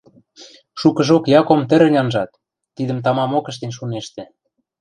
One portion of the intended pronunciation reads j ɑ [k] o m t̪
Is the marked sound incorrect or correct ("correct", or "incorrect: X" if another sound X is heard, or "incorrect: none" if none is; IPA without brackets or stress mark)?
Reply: correct